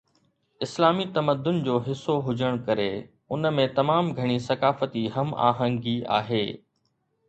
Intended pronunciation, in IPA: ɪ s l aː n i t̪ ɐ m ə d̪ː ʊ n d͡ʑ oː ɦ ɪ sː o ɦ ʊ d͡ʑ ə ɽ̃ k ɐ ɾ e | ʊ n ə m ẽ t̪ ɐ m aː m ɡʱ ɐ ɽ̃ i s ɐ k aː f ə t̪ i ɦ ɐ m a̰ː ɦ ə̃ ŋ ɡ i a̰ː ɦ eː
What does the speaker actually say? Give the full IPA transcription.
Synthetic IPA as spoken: ɪ s l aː m i t̪ ɐ m ə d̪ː ʊ n d͡ʑ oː ɦ ɪ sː o ɦ ʊ d͡ʑ ə ɽ̃ k ɐ ɾ e | ʊ n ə m ẽ t̪ ɐ m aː m ɡʱ ɐ ɽ̃ i s ɐ k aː f ə t̪ i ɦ ɐ m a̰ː ɦ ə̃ ŋ ɡ i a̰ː ɦ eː